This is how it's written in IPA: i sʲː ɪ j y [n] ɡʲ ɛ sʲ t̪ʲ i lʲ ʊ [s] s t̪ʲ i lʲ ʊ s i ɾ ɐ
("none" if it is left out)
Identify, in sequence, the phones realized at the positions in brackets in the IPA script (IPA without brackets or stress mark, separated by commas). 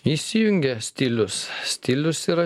ŋ, s